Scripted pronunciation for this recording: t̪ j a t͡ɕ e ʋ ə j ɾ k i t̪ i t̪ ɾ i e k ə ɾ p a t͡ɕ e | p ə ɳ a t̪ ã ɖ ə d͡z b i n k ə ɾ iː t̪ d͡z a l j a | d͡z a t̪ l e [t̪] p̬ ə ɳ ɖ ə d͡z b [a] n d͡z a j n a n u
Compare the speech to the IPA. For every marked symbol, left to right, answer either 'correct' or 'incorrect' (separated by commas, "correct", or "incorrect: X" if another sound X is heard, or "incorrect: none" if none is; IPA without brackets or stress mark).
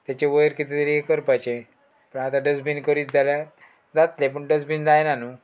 incorrect: none, incorrect: i